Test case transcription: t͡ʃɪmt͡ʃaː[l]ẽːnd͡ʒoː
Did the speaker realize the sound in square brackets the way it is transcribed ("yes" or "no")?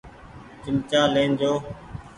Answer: yes